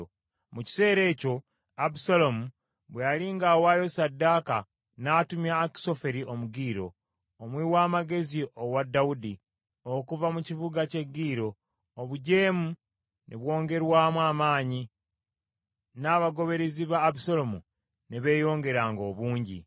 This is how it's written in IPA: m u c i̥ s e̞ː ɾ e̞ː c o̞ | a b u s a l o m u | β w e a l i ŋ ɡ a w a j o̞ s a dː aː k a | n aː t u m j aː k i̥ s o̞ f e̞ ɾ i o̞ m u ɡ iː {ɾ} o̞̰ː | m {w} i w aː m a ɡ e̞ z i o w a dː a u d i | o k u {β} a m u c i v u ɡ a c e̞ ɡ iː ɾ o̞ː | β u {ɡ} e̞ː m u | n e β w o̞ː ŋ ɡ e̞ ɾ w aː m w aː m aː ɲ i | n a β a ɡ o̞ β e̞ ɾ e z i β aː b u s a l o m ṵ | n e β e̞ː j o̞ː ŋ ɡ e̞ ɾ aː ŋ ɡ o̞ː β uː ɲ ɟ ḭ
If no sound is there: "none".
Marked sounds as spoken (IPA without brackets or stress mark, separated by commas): ɾ, w, v, ɟ